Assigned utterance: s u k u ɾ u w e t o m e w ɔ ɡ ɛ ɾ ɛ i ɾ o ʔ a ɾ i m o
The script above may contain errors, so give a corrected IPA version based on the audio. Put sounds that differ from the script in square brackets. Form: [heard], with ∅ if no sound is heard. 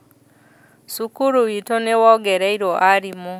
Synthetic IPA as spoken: s u k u ɾ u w [i] t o [n] e w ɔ ɡ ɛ ɾ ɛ i ɾ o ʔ a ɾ i m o